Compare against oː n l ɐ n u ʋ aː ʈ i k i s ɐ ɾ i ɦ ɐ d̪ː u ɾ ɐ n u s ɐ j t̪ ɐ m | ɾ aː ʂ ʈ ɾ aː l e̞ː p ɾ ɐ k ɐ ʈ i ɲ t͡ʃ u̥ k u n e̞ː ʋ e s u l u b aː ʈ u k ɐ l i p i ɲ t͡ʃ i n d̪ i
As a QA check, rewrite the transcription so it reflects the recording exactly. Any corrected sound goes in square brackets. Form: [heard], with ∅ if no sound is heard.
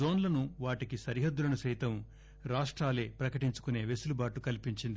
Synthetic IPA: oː n l ɐ n u ʋ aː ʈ i k i s ɐ ɾ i ɦ ɐ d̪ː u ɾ ɐ n u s ɐ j t̪ ɐ m | ɾ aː ʂ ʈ ɾ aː l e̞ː p ɾ ɐ k ɐ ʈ i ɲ t͡ʃ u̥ k u n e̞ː ʋ e s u l u b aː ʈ u k ɐ l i p i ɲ t͡ʃ i n d̪ i